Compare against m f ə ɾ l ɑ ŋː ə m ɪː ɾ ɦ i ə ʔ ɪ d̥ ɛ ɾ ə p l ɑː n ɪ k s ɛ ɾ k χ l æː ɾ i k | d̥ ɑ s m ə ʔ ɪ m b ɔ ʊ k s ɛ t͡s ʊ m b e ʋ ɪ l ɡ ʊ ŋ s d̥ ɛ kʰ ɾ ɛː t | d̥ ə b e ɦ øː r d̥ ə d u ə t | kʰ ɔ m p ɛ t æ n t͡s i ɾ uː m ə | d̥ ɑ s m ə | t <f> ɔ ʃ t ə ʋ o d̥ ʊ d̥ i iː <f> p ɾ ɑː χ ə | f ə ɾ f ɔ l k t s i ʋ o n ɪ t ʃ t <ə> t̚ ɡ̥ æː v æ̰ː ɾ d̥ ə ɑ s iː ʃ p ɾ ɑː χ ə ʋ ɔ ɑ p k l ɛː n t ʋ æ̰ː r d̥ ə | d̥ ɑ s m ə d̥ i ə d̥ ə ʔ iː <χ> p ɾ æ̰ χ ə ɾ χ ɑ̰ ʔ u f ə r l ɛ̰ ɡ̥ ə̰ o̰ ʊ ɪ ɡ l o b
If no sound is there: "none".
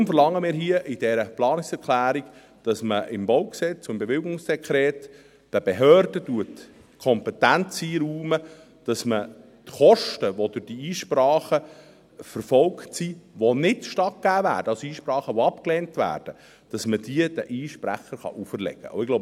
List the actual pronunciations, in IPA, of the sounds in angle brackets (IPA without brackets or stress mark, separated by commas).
χ, ʃ, ɑ, ʃ